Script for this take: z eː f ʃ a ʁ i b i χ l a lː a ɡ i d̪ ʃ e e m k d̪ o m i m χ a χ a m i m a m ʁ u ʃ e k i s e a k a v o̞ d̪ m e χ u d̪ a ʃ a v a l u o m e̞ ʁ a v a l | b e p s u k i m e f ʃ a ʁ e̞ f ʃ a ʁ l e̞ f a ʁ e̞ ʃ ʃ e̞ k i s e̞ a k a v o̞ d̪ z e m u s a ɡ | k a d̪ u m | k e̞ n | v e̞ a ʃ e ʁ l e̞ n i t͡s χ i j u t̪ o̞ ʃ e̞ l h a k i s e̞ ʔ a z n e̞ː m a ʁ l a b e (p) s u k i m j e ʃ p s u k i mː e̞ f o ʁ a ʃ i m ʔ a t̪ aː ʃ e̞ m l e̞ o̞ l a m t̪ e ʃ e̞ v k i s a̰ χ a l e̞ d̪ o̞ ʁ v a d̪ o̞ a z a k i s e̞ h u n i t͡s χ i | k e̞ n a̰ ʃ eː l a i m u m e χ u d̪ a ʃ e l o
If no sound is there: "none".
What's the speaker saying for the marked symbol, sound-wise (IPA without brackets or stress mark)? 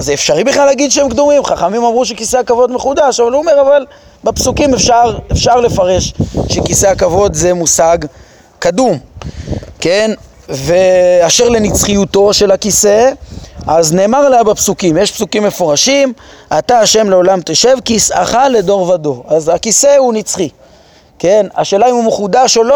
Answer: p